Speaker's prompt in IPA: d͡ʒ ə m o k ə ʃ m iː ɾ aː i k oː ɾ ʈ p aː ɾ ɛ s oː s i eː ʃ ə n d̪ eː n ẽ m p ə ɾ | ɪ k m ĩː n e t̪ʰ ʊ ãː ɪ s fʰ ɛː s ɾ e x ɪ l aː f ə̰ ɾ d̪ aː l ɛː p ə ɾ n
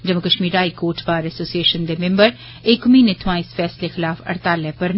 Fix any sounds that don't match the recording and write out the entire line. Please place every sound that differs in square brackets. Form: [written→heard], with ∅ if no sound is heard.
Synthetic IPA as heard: d͡ʒ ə m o k ə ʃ m iː ɾ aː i k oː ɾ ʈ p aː ɾ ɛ s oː s i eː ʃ ə n d̪ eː [n→m] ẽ m [p→b] ə ɾ | ɪ k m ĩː n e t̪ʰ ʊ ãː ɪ s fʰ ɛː s [ɾ→l] e x ɪ l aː f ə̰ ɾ [d̪→t̪] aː l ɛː p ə ɾ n